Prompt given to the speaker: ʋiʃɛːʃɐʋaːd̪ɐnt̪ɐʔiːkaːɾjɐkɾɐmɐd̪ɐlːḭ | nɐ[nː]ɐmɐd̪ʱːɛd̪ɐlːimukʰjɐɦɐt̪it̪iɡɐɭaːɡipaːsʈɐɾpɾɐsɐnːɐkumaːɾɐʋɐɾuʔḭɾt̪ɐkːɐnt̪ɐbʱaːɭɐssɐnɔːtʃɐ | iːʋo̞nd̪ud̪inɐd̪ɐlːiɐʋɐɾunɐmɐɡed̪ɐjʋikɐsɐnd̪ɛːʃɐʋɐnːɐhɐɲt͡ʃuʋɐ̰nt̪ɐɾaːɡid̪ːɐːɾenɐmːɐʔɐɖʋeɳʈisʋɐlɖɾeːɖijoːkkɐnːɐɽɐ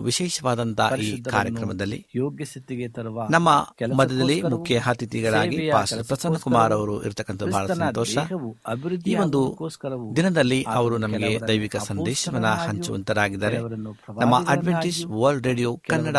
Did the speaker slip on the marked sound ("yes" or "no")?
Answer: yes